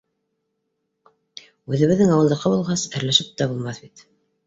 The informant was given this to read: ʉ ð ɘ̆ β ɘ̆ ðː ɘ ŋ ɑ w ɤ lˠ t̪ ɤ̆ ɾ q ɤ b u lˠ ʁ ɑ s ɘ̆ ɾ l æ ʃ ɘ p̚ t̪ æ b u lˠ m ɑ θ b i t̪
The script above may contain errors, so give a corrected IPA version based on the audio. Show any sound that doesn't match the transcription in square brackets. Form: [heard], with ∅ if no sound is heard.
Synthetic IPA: ʉ ð ɘ̆ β ɘ̆ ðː ɘ ŋ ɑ w ɤ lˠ [d̪] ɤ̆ [∅] q ɤ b u lˠ ʁ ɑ s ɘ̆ ɾ l æ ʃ ɘ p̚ t̪ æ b u lˠ m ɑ θ b i t̪